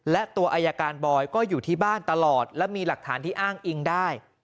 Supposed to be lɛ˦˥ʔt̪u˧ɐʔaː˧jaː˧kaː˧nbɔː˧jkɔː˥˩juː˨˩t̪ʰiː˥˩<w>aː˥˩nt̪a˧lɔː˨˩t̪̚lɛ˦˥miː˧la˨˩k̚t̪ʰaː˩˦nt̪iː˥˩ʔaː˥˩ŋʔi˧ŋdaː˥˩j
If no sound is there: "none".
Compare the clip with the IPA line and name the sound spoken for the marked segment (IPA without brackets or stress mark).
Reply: b